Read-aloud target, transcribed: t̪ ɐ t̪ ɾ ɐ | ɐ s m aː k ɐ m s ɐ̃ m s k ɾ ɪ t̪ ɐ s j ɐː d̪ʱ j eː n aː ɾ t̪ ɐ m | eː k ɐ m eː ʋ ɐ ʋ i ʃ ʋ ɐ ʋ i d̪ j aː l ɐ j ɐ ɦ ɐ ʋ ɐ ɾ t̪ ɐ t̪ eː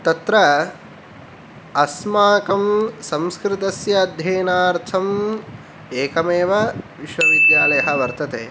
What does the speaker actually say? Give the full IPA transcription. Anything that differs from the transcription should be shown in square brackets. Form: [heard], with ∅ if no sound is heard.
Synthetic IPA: t̪ ɐ t̪ ɾ ɐ | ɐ s m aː k ɐ m s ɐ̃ m s k ɾ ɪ t̪ ɐ s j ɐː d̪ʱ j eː n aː ɾ [t̪ʰ] ɐ m | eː k ɐ m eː ʋ ɐ ʋ i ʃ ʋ ɐ ʋ i d̪ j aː l ɐ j ɐ ɦ ɐ ʋ ɐ ɾ t̪ ɐ t̪ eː